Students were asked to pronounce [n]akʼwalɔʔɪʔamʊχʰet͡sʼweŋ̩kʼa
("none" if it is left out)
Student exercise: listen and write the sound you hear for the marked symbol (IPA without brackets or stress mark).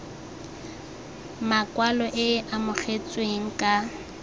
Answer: m